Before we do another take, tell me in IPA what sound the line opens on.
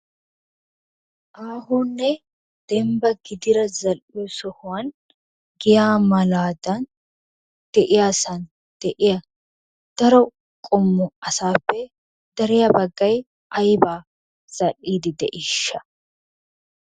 ʔ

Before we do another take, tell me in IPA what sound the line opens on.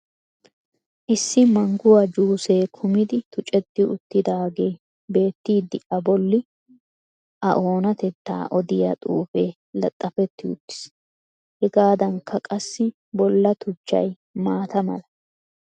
ʔ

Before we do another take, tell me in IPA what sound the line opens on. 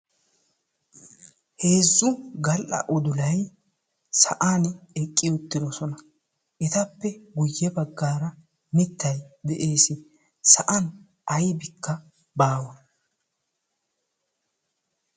h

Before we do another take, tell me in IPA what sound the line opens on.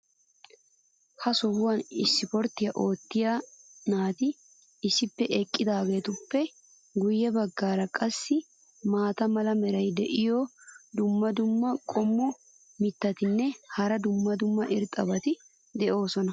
h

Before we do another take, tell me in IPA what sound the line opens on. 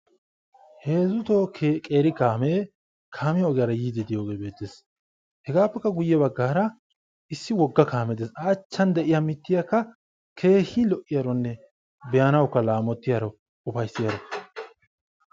h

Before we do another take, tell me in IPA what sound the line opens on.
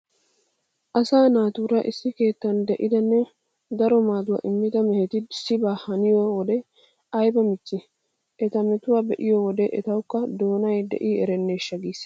ʔ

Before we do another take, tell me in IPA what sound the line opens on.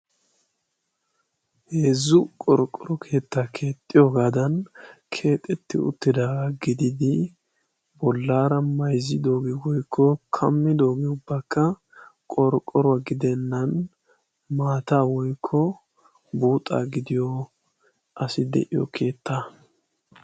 h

